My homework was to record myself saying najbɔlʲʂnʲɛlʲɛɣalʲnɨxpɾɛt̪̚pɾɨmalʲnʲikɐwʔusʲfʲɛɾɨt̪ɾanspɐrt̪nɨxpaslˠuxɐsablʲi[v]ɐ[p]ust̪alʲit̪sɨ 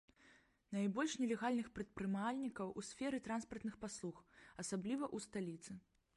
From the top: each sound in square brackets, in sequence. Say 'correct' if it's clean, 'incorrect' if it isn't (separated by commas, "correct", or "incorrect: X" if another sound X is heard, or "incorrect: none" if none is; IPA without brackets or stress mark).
correct, incorrect: ʔ